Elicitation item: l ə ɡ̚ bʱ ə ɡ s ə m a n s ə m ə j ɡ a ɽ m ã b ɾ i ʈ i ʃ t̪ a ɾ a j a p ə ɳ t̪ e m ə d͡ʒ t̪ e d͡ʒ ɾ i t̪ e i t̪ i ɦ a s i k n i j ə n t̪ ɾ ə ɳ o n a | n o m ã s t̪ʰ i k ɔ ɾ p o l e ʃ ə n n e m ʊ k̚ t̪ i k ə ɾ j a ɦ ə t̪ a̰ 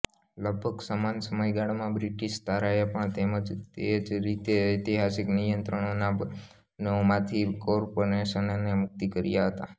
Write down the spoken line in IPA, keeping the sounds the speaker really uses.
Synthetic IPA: l ə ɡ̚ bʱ ə ɡ s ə m a n s ə m ə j ɡ a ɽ m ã b ɾ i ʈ i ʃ t̪ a ɾ a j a p ə ɳ t̪ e m ə d͡ʒ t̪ e d͡ʒ ɾ i t̪ e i t̪ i ɦ a s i k n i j ə n t̪ ɾ ə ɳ o n a | n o m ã t̪ʰ i k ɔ ɾ p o ɾ e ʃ ə n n e m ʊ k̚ t̪ i k ə ɾ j a ɦ ə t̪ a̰